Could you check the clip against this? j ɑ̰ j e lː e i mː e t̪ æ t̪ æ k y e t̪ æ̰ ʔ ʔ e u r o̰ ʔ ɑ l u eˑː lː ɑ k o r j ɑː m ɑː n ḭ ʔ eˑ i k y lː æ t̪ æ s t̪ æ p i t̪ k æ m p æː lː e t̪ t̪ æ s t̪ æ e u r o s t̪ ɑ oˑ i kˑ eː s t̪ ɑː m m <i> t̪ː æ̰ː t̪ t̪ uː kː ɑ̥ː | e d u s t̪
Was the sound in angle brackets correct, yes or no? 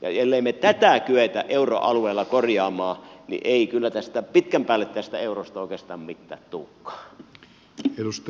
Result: yes